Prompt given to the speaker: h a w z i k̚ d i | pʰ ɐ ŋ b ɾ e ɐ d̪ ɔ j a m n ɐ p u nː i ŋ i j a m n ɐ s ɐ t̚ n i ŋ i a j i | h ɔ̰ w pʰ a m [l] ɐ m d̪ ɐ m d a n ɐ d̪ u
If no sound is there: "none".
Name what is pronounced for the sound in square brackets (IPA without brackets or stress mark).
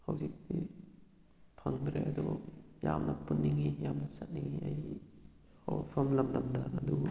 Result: l